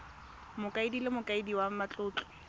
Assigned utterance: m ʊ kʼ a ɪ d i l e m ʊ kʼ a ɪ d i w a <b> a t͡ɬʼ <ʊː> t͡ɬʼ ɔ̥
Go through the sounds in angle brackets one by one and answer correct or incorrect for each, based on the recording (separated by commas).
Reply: incorrect, correct